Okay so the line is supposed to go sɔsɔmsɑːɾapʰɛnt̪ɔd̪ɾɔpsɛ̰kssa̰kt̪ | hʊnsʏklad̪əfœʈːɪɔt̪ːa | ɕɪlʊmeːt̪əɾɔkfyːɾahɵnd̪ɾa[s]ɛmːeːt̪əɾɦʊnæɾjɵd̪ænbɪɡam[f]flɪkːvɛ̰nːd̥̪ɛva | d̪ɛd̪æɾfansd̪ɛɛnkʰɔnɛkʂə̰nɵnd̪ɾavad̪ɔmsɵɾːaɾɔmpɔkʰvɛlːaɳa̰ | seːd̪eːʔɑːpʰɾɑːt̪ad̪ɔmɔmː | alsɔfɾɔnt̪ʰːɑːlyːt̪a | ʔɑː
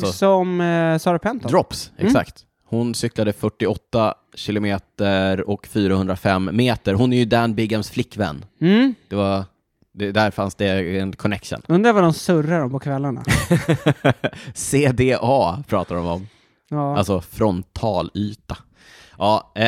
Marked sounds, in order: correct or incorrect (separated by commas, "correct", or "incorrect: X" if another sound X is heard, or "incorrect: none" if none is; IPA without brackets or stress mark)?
incorrect: f, incorrect: s